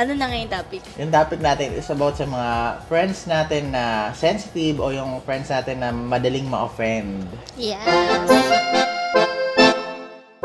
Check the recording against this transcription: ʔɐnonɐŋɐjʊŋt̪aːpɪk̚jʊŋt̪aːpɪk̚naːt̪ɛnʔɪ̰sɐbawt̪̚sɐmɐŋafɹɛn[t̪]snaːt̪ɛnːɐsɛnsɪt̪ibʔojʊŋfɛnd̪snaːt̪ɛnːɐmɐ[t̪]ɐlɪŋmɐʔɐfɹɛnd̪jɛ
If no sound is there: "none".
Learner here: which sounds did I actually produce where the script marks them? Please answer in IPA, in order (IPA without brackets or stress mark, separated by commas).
d̪, d̪